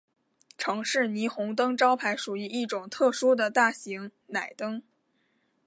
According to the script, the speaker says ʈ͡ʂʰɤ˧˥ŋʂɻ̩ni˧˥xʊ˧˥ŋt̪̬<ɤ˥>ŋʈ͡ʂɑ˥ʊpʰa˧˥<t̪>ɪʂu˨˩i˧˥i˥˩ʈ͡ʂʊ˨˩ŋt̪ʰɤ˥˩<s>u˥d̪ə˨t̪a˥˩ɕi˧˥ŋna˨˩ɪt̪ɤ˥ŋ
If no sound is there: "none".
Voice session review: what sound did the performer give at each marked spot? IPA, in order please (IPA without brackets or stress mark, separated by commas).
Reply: ɤ˥, none, ʂ